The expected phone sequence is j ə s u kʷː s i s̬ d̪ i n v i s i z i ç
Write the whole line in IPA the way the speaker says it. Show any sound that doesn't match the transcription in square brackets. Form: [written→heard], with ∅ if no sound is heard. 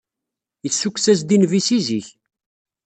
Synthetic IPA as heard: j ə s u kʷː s [i→æ] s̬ d̪ i n v i s i z i ç